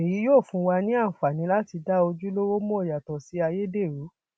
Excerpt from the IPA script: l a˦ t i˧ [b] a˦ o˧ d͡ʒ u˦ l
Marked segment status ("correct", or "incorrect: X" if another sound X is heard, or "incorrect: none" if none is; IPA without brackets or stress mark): incorrect: d